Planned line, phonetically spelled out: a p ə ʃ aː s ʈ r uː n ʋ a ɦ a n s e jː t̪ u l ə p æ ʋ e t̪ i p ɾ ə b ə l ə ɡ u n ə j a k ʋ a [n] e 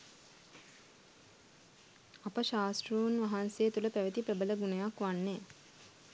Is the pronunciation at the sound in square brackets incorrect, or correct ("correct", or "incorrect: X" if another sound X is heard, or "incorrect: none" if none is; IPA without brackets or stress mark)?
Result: incorrect: nː